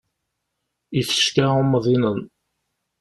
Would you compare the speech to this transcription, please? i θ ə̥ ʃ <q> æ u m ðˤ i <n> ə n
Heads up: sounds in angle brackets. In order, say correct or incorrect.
incorrect: k, correct

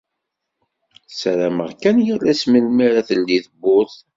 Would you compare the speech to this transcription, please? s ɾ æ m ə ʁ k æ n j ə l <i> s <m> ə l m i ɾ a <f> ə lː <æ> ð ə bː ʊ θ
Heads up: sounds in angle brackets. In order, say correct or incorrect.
incorrect: æ, correct, incorrect: θ, incorrect: i

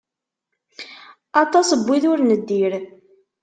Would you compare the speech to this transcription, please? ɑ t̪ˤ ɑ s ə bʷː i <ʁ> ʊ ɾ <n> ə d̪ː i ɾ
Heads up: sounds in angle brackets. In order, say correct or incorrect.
incorrect: ð, correct

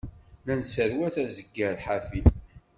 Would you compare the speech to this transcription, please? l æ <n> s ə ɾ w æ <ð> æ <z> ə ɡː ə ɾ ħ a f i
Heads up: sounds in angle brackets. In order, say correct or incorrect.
correct, incorrect: θ, correct

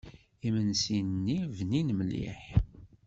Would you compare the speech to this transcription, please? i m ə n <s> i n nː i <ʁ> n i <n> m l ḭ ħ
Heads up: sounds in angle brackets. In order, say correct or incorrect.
correct, incorrect: v, correct

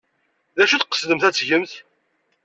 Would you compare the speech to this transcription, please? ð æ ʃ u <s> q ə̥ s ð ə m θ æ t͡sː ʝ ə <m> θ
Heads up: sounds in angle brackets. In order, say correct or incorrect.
incorrect: θ, correct

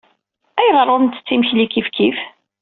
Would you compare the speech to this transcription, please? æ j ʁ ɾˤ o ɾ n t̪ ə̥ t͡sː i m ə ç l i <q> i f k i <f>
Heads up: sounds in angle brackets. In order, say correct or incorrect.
incorrect: k, correct

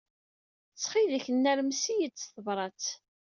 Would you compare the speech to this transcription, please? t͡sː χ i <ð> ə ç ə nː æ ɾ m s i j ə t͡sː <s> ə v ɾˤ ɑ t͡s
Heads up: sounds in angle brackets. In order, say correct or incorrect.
correct, incorrect: θ

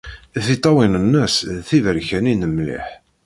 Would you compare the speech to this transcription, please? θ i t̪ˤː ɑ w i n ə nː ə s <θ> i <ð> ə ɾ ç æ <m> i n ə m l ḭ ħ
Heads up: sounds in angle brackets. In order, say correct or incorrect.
correct, incorrect: v, incorrect: n

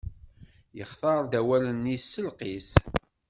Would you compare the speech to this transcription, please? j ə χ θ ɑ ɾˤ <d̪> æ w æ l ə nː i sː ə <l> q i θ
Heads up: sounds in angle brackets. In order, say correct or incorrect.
correct, correct

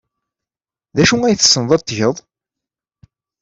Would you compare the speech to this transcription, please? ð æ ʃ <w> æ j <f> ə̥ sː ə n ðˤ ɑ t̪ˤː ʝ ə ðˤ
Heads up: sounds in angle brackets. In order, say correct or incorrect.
incorrect: u, incorrect: θ

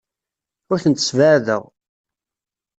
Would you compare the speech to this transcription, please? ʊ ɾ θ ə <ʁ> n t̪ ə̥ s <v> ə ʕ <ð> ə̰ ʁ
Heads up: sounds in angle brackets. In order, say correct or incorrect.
incorrect: none, correct, correct

